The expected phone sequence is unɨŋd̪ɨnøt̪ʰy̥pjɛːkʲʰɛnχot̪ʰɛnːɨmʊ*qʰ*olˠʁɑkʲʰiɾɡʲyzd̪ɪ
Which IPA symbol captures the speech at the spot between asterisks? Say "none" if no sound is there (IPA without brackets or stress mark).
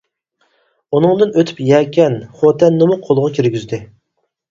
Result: qʰ